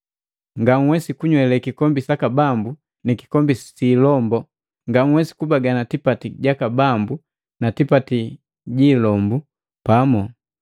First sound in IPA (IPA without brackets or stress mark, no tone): ŋ